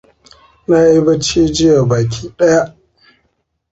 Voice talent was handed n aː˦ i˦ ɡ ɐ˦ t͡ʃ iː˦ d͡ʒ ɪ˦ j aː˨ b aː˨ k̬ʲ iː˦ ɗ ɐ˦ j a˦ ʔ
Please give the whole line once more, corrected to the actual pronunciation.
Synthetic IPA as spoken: n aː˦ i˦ b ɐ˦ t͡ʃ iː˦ d͡ʒ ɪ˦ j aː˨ b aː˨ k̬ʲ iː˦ ɗ ɐ˦ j a˦ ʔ